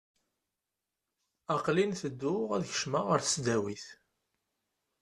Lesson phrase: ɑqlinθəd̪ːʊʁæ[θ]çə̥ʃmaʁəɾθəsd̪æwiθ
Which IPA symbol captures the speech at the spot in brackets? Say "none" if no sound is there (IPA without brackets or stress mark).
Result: ð